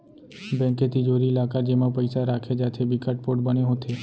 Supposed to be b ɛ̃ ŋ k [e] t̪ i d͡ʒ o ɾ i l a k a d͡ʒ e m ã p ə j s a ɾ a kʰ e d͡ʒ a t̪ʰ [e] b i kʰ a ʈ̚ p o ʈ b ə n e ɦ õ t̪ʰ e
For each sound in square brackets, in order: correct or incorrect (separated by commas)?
correct, correct